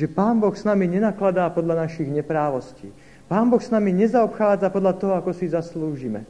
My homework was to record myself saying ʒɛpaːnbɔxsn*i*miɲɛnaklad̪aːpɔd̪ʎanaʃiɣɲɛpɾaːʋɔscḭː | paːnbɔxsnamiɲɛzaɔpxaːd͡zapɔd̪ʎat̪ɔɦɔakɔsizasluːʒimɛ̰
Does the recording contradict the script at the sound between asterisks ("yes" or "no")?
yes